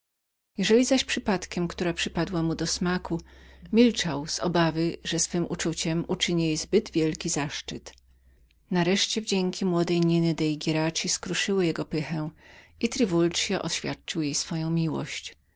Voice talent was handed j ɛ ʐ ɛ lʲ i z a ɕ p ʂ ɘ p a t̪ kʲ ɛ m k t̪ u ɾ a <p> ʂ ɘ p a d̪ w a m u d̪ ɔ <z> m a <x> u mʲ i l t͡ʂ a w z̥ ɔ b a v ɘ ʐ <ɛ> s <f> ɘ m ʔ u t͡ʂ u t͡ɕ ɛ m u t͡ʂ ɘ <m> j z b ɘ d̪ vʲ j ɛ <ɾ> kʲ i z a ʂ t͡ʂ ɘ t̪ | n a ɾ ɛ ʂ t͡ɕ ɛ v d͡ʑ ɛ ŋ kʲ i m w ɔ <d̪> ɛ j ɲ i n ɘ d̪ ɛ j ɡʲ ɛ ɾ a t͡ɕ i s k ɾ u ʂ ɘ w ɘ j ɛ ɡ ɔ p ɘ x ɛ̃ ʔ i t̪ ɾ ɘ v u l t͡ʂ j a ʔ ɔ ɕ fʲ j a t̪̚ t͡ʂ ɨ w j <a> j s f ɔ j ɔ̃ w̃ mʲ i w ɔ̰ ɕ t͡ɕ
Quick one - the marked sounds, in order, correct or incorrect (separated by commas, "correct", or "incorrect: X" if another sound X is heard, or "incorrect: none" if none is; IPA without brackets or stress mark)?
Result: correct, incorrect: s, incorrect: k, correct, correct, incorrect: ɲ, incorrect: l, correct, incorrect: e